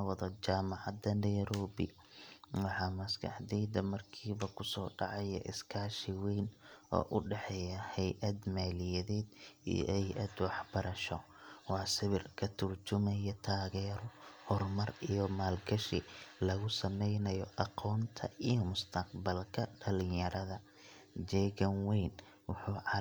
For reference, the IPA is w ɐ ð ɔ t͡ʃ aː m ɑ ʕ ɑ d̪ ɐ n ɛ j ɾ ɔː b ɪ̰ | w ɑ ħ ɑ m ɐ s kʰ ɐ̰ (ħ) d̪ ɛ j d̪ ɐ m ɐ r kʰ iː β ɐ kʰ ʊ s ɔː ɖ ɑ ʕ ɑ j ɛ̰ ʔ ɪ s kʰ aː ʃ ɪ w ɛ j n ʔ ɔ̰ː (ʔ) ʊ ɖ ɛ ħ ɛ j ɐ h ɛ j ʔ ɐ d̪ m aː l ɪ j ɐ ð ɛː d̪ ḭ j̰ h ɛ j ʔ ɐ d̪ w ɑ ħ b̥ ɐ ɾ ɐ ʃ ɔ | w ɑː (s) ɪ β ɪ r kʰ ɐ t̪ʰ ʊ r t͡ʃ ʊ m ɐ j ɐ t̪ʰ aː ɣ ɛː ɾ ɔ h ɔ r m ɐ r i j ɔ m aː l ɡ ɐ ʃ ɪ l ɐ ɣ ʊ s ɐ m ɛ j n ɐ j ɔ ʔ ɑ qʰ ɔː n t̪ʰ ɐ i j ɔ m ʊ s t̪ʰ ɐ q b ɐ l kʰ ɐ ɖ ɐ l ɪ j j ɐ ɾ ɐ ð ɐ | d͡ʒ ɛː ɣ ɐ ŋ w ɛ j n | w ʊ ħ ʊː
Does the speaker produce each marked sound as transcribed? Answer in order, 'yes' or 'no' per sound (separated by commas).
yes, yes, yes